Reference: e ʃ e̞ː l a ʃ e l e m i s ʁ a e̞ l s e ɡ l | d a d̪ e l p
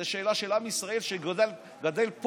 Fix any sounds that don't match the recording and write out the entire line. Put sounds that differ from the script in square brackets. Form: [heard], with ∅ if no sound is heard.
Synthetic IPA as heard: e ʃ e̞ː l a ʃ e l [a] m i s ʁ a e̞ l [ʃ] e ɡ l | [ɡ] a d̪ e l p